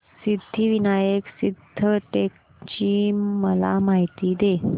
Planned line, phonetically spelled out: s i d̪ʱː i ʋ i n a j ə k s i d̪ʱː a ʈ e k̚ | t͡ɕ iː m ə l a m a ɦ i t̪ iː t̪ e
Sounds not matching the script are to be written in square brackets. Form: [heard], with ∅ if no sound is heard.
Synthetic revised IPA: s i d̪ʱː i ʋ i n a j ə k s i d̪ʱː [ə] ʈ e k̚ | t͡ɕ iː m ə l a m a ɦ i t̪ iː [d̪] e